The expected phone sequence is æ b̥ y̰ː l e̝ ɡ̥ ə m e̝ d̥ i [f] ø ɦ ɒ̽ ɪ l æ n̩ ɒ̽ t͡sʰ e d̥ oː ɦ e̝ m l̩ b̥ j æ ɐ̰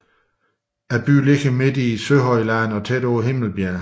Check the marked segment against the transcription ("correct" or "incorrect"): incorrect